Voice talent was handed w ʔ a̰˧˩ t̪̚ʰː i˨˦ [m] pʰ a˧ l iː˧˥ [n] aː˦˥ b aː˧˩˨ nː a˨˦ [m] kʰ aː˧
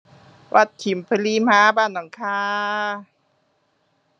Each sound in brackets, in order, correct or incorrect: correct, incorrect, incorrect

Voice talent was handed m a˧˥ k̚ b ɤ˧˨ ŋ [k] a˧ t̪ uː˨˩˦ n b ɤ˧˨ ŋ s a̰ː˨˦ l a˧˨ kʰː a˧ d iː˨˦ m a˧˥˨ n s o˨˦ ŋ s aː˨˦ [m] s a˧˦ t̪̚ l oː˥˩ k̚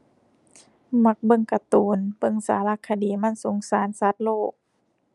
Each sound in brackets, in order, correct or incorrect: correct, incorrect

